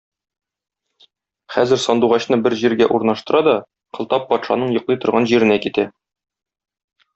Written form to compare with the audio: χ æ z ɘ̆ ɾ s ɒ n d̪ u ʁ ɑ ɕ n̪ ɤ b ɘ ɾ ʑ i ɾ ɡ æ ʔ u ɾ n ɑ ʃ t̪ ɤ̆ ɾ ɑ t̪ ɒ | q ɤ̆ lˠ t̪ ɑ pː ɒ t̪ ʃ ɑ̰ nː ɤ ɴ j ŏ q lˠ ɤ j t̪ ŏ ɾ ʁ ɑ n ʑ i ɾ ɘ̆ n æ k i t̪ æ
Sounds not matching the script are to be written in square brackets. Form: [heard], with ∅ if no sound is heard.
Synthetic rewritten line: χ æ z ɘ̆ ɾ s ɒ n d̪ u ʁ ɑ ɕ n̪ ɤ b ɘ ɾ ʑ i ɾ ɡ æ ʔ u ɾ n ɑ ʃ t̪ ɤ̆ ɾ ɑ [d̪] ɒ | q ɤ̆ lˠ t̪ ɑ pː ɒ t̪ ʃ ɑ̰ [n] ɤ ɴ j ŏ q lˠ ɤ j t̪ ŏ ɾ ʁ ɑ n ʑ i ɾ ɘ̆ n æ k i t̪ æ